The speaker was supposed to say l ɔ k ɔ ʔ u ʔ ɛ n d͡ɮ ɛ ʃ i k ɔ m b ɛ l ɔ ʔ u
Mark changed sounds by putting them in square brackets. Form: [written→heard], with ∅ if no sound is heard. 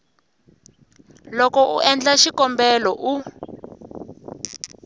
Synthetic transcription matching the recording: l ɔ k ɔ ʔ u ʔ ɛ n d͡ɮ [ɛ→a] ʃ i k ɔ m b ɛ l ɔ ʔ u